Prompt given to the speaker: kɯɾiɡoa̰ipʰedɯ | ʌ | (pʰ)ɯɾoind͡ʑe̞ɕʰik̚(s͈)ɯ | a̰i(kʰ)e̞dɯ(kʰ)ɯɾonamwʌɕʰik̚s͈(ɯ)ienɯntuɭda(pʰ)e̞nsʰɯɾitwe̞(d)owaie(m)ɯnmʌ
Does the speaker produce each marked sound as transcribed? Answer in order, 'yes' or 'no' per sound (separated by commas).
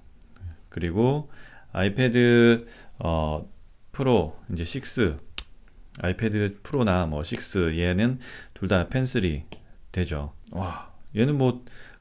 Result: yes, yes, no, no, yes, yes, no, no